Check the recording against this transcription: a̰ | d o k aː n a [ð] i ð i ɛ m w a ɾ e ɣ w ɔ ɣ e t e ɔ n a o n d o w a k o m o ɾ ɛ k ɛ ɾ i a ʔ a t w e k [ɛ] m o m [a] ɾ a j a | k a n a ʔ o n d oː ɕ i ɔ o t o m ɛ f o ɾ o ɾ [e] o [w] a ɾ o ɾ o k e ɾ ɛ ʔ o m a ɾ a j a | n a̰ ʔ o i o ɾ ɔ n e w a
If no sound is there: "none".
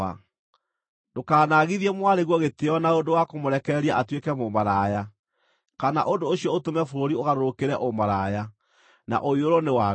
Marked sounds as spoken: ɣ, ɛ, a, i, ɣ

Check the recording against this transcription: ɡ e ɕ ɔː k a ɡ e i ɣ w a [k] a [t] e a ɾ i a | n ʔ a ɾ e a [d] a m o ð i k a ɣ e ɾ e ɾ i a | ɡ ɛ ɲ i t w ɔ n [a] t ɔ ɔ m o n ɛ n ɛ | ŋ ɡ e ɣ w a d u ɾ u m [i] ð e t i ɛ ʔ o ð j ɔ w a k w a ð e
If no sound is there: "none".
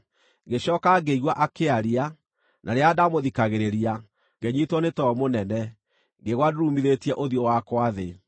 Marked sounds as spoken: ʔ, k, d, e, i

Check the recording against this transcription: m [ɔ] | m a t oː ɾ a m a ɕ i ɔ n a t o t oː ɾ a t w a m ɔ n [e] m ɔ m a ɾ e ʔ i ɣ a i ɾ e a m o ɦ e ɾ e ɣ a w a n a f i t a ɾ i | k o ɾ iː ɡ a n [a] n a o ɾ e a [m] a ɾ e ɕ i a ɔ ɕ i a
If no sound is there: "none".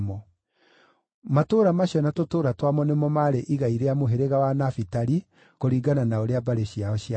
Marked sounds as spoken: ɔ, e, a, b

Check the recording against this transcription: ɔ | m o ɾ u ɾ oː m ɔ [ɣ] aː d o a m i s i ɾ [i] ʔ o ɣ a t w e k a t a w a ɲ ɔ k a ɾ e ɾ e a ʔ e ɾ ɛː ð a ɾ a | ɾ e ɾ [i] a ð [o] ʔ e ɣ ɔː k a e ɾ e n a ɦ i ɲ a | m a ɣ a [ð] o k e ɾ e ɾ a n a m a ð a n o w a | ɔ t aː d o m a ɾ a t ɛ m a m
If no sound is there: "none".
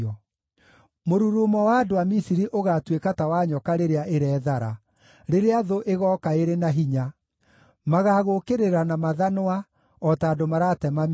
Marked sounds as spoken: w, i, e, o, ɣ

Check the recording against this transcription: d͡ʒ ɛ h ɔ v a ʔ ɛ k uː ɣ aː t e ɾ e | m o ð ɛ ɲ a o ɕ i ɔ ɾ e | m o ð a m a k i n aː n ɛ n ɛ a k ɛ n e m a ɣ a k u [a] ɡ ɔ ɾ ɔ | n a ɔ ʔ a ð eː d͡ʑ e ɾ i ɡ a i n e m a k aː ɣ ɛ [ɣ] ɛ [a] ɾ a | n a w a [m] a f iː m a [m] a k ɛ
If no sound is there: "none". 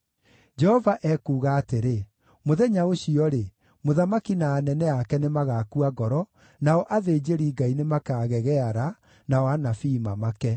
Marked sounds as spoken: a, ɣ, a, n, m

